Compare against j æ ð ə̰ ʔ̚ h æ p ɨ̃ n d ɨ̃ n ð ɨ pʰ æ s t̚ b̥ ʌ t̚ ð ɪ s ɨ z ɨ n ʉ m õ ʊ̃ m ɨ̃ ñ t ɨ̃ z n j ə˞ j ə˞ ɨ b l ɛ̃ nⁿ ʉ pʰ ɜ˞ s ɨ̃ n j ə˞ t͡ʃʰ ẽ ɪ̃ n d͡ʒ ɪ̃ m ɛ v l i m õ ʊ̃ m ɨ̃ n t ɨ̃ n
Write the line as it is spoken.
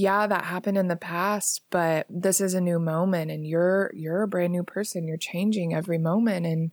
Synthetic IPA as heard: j æ ð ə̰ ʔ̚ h æ p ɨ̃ n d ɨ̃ n ð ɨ pʰ æ s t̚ b̥ ʌ t̚ ð ɪ s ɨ z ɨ n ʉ m õ ʊ̃ m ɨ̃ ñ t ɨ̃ n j ə˞ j ə˞ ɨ b ɹ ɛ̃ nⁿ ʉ pʰ ɜ˞ s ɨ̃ n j ə˞ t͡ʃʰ ẽ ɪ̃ n d͡ʒ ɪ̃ ŋ ɛ v ɹ i m õ ʊ̃ m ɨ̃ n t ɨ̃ n